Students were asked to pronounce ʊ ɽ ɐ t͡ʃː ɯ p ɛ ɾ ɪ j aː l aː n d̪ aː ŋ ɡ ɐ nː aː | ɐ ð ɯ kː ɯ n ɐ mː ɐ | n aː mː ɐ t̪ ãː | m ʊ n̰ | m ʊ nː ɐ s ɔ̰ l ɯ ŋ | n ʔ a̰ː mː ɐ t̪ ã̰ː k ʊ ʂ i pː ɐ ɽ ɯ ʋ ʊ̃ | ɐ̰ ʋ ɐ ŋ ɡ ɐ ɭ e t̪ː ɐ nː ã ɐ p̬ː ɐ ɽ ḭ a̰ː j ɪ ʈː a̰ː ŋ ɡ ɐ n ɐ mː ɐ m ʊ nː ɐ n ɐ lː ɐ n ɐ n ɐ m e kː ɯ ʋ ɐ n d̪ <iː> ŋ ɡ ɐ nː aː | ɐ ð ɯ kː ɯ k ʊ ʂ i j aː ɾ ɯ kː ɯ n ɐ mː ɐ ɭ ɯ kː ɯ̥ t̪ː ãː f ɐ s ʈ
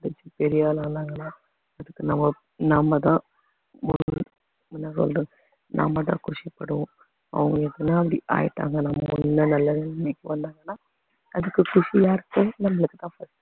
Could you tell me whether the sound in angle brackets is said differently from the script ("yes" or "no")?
yes